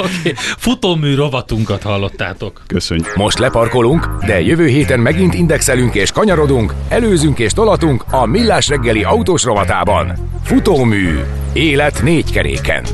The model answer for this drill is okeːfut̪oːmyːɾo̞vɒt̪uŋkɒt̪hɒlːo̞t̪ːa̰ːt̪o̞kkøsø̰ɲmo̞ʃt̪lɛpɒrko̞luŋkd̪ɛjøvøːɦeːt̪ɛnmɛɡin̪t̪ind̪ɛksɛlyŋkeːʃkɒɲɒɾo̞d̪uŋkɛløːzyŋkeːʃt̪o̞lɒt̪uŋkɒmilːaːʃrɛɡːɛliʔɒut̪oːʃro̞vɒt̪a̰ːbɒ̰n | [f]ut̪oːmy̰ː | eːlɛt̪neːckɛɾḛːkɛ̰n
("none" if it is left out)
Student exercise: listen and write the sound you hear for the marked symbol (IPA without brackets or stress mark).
f